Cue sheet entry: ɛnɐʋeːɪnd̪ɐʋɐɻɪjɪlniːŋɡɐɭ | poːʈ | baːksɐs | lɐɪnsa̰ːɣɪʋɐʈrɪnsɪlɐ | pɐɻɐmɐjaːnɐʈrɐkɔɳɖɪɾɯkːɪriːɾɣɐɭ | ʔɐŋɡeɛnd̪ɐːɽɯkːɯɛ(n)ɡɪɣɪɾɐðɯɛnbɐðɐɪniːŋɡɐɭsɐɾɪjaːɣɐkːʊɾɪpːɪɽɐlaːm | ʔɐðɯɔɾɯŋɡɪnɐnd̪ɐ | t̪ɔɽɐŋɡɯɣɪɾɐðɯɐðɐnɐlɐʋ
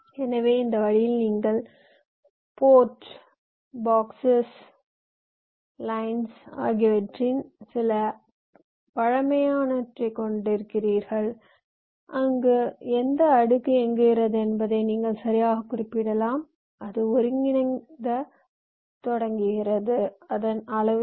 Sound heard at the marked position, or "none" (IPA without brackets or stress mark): ŋ